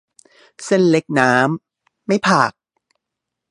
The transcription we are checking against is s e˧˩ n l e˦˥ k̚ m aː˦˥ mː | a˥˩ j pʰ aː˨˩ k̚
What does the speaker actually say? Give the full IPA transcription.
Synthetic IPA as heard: s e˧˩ n l e˦˥ k̚ n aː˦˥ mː | a˥˩ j pʰ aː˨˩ k̚